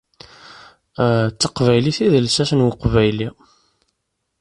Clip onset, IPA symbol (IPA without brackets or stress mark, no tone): t͡sː